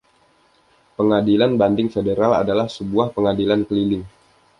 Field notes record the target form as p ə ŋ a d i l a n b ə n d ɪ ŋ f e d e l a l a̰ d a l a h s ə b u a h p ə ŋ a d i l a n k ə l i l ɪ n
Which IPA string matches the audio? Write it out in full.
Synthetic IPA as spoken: p ə ŋ a d i l a n b a n d ɪ ŋ f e d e ɾ a l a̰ d a l a h s ə b u a h p ə ŋ a d i l a n k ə l i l ɪ ŋ

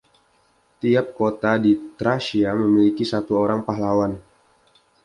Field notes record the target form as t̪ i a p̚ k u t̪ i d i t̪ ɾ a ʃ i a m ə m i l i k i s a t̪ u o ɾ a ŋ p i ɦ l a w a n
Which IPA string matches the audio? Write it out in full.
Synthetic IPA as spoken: t̪ i a p̚ k o t̪ a d i t̪ ɾ a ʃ i a m ə m i l i k i s a t̪ u o ɾ a ŋ p a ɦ l a w a n

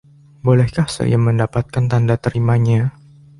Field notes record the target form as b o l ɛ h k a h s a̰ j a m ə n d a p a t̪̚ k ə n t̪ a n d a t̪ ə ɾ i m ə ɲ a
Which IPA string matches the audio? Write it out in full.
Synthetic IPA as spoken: b o l ɛ h k a h s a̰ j a m ə n d a p a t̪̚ k a n t̪ a n d a t̪ ə ɾ i m a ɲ a

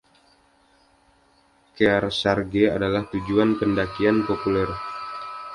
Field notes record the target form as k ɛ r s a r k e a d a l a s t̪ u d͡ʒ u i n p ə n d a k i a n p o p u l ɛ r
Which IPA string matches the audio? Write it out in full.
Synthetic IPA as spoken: k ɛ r s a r ɡ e a d a l a h t̪ u d͡ʒ u a n p ə n d a k i a n p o p u l ɛ r

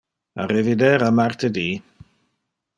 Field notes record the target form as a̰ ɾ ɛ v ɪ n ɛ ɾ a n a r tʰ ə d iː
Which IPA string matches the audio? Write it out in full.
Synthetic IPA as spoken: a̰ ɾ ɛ v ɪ d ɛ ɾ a m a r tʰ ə d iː

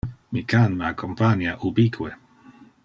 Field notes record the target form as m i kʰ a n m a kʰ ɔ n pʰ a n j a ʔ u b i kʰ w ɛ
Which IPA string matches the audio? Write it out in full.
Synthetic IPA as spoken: m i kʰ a n m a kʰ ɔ m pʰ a n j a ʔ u b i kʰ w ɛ

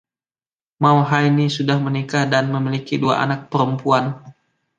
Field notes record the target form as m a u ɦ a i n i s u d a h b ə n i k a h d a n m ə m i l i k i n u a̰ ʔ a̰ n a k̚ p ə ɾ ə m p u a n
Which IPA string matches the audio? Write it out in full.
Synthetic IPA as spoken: m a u ɦ a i n i s u d a h m ə n i k a h d a n m ə m i l i k i d u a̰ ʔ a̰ n a k̚ p ə ɾ ə m p u a n

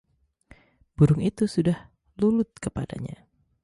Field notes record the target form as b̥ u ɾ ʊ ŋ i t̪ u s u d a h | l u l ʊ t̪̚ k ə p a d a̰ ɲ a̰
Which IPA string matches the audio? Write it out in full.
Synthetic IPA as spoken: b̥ u ɾ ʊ ŋ i t̪ u s u d a h | l u l ʊ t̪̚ k ə p a d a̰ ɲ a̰

